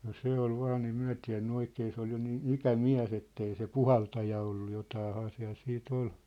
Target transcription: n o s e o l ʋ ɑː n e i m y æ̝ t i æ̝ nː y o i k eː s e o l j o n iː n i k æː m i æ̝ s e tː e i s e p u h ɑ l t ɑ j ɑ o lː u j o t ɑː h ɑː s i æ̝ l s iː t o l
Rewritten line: n o s e o l ʋ ɑː n e i m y æ̝ t i æ̝ nː y o i k eː s e o l j o n iː n i k æ m i æ̝ s e tː e i s e p u h ɑ l t ɑ j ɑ o lː u j o t ɑː h ɑː s i æ̝ l s iː t o l